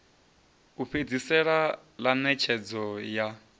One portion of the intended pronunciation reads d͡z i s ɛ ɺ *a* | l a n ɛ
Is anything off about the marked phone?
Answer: no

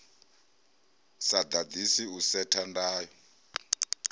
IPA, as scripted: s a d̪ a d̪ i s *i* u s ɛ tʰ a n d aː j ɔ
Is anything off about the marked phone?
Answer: no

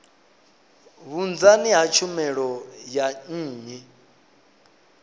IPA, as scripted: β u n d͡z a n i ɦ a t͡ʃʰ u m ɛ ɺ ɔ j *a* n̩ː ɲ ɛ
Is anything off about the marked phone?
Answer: no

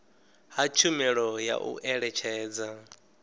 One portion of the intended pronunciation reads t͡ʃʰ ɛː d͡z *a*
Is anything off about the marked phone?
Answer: no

